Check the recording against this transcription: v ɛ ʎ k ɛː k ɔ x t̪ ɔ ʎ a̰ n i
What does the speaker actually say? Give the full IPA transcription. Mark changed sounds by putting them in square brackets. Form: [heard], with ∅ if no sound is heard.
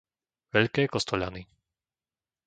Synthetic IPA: [ʋ] ɛ ʎ k ɛː k ɔ [s] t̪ ɔ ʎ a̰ n i